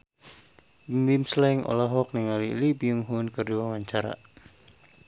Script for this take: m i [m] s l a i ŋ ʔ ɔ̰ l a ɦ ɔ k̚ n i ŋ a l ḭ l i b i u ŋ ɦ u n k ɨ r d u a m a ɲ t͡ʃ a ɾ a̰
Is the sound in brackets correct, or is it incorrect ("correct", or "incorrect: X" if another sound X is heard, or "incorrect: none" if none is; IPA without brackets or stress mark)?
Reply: correct